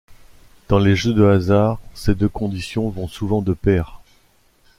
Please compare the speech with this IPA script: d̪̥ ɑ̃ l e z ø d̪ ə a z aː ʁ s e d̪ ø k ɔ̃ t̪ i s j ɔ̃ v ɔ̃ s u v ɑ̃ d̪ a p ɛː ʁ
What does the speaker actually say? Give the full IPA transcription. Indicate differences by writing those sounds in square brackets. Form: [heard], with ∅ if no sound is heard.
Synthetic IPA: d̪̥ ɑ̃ l e [ʒ] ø d̪ ə a z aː ʁ s e d̪ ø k ɔ̃ [d̪] i s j ɔ̃ v ɔ̃ s u v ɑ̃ d̪ [ə] p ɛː ʁ